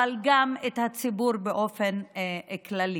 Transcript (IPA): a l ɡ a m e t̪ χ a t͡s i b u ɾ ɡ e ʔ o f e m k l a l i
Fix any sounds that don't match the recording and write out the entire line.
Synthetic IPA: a l ɡ a m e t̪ h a t͡s i b u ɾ b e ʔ o f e n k l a l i